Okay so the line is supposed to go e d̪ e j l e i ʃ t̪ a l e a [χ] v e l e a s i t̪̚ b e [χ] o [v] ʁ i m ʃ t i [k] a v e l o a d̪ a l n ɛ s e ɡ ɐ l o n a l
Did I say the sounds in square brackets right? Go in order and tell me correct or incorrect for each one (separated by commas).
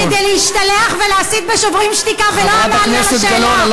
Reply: correct, incorrect, correct, correct